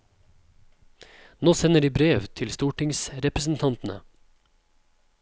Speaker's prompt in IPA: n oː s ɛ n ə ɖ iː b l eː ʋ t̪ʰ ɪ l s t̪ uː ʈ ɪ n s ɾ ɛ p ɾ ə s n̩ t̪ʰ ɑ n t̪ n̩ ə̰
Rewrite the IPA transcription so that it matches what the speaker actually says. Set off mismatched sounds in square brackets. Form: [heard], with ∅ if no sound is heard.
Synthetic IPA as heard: n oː s ɛ n ə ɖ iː b [ɾ] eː ʋ t̪ʰ ɪ l s t̪ uː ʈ ɪ [ŋ] s ɾ ɛ p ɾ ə s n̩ t̪ʰ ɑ n t̪ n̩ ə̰